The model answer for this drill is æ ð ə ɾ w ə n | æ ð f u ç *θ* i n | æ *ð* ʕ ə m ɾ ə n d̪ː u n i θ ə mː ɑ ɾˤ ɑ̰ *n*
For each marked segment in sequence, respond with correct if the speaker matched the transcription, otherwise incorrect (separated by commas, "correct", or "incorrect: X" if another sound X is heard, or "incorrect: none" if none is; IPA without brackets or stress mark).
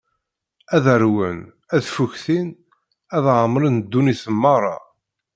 correct, correct, incorrect: none